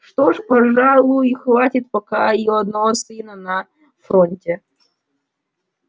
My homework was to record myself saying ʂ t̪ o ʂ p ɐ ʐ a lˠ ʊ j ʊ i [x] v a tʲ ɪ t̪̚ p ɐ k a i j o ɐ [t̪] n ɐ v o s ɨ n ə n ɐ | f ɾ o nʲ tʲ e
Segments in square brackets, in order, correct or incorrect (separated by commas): correct, incorrect